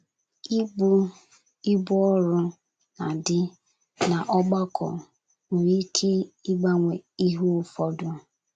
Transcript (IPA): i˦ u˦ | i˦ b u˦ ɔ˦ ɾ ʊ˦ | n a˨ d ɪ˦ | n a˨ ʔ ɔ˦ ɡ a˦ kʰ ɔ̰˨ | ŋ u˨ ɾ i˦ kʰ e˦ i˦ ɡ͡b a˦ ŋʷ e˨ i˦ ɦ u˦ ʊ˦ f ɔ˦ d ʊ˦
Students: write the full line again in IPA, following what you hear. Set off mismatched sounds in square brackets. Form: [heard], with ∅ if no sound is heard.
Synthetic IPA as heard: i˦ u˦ | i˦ b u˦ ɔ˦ ɾ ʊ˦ | n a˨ d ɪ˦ | n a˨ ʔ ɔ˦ [ɡ͡b] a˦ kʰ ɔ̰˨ | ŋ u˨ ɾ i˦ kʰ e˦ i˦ ɡ͡b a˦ ŋʷ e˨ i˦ ɦ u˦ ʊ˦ f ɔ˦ d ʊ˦